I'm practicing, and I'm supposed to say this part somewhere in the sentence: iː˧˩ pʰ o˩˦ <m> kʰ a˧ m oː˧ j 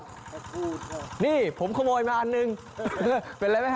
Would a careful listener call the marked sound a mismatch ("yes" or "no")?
no